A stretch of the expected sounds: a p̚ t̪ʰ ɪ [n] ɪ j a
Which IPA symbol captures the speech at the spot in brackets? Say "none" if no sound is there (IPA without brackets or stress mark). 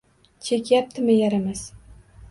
m